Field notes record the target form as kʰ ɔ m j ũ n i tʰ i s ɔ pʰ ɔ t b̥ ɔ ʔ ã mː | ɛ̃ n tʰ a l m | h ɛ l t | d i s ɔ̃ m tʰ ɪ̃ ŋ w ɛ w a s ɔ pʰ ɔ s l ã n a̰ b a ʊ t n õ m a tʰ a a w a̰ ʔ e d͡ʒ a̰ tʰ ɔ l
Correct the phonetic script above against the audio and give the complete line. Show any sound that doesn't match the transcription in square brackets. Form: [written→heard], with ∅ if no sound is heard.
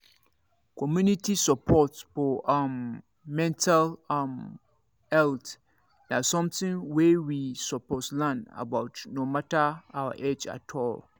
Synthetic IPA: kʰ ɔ m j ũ n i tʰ i s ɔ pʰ ɔ t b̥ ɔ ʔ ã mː | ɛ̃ n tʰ a l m | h ɛ l t | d [i→a] s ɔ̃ m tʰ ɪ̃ ŋ w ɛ w [a→i] s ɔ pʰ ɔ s l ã n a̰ b a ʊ t n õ m a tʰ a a w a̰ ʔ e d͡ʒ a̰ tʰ ɔ l